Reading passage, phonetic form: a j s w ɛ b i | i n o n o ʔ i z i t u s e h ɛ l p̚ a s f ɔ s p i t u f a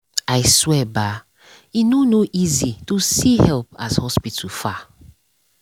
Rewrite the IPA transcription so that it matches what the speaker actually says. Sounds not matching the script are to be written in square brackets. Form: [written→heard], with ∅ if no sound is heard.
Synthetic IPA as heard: a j s w ɛ b [i→a] | i n o n o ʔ i z i t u s [e→i] h ɛ l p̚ a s [f→h] ɔ s p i t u f a